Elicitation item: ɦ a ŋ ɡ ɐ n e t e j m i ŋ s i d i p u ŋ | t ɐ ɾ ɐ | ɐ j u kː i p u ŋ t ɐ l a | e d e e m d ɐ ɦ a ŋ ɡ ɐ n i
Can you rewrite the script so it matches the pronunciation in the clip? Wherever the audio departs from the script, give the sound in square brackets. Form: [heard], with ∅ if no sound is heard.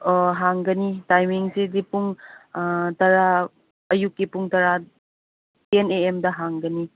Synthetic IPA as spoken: ɦ a ŋ ɡ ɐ n [i] t [a] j m i ŋ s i d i p u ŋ | t ɐ ɾ [a] | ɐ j u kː i p u ŋ t ɐ [ɾ] a | e [n] e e m d ɐ ɦ a ŋ ɡ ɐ n i